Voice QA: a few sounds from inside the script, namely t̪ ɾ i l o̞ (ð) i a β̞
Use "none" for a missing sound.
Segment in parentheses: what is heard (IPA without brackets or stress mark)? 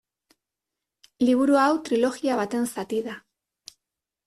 ɣ